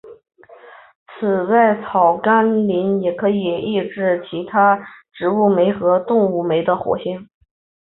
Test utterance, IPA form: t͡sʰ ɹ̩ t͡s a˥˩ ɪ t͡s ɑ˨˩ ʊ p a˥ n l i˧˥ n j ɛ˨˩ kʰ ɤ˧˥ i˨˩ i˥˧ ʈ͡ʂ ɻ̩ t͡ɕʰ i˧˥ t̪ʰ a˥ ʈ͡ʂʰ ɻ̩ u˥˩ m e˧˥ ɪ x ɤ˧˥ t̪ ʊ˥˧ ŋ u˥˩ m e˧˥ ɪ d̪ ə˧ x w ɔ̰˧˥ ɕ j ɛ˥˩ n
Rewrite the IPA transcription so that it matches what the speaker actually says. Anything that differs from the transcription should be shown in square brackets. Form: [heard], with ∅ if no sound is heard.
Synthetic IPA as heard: t͡sʰ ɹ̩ t͡s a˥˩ ɪ [t͡sʰ] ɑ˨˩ ʊ [k] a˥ n l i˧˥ n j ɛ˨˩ kʰ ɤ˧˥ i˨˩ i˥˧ ʈ͡ʂ ɻ̩ t͡ɕʰ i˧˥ t̪ʰ a˥ [ʈ͡ʂ] ɻ̩ u˥˩ m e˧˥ ɪ x ɤ˧˥ t̪ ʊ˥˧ ŋ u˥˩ m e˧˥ ɪ d̪ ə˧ x w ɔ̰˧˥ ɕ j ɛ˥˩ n

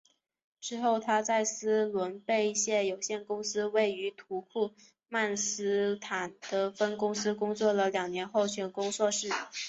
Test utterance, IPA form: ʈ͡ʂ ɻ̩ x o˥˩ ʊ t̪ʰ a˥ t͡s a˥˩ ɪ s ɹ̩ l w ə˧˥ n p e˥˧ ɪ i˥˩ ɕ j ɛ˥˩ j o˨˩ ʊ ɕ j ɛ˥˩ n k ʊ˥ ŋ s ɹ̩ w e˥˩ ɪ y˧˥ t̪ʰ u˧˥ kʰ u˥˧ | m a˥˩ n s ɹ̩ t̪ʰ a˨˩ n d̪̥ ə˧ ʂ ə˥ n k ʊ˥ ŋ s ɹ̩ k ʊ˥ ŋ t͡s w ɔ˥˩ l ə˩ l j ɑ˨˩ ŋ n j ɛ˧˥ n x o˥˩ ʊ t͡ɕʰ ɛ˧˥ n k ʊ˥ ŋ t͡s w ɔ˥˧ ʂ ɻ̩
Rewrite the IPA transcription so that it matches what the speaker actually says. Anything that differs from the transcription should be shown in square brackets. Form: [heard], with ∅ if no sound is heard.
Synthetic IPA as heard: ʈ͡ʂ ɻ̩ x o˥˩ ʊ t̪ʰ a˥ t͡s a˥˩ ɪ s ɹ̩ l w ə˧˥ n p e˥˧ ɪ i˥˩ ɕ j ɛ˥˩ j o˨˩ ʊ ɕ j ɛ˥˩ n k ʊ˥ ŋ s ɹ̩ w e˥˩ ɪ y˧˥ t̪ʰ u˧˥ kʰ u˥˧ | m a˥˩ n s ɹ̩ t̪ʰ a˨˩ n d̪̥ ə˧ [f] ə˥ n k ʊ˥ ŋ s ɹ̩ k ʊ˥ ŋ t͡s w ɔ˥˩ l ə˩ l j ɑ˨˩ ŋ n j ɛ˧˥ n x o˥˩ ʊ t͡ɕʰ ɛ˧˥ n k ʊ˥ ŋ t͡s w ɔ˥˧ ʂ ɻ̩

